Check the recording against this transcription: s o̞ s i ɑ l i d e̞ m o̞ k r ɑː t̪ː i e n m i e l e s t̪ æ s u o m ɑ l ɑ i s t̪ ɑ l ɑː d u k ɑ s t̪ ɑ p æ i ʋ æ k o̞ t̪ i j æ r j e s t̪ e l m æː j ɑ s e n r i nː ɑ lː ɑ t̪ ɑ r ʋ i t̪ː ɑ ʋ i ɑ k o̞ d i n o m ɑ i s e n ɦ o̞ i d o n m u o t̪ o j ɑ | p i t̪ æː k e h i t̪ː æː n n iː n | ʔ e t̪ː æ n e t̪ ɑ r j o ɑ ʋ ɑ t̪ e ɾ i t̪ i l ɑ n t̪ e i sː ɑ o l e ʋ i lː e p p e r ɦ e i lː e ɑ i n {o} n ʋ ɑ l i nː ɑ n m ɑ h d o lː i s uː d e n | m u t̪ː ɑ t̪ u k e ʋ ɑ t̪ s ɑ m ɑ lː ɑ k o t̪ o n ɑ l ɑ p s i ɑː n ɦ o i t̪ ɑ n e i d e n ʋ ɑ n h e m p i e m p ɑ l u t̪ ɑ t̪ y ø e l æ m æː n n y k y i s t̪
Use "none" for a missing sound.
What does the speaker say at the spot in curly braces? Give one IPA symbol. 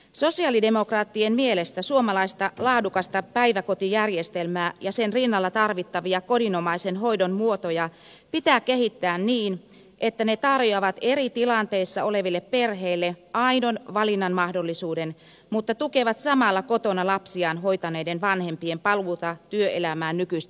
o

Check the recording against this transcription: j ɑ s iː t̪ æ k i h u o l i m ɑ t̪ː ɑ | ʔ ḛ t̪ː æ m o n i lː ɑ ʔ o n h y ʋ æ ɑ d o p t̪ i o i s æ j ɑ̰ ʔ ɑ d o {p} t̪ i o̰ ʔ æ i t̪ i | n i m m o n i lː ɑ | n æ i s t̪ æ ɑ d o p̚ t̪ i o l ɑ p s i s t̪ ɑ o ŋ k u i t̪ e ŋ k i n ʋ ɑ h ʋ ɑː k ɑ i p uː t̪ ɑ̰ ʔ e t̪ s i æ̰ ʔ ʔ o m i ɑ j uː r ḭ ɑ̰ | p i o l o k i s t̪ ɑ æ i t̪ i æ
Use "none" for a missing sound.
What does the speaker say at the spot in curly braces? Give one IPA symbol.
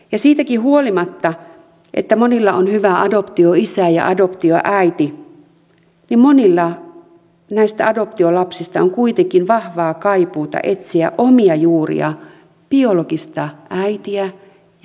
p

